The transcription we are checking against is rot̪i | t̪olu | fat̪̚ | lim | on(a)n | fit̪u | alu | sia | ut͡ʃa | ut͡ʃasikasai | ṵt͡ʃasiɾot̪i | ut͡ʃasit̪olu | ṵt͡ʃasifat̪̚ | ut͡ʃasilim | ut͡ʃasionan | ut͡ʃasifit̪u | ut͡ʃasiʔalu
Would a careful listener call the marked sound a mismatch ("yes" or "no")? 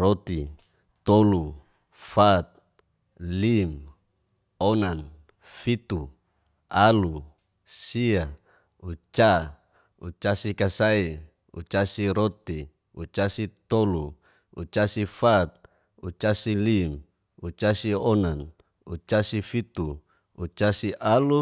no